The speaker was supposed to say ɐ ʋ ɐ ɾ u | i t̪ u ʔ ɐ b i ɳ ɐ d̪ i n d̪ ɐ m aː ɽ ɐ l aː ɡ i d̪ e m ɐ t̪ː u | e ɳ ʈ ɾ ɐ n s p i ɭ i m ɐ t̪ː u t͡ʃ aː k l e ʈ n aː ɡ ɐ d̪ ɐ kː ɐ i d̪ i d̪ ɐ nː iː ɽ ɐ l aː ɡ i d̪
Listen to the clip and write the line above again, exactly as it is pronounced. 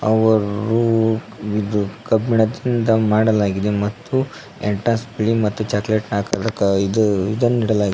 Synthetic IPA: ɐ ʋ ɐ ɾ u | i d̪ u k ɐ b i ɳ ɐ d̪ i n d̪ ɐ m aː ɽ ɐ l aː ɡ i d̪ e m ɐ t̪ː u | e ɳ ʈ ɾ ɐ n s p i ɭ i m ɐ t̪ː u t͡ʃ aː k l e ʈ n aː k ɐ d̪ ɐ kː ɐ i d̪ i d̪ ɐ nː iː ɽ ɐ l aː ɡ i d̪